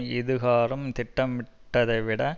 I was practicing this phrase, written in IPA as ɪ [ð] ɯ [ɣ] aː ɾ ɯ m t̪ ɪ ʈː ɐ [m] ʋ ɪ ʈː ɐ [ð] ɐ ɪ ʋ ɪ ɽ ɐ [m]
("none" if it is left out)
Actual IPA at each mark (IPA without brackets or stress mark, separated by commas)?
ð, ɣ, m, ð, none